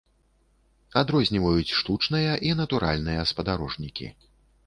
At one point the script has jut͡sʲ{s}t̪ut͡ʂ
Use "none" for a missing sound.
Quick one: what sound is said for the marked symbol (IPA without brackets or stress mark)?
ʂ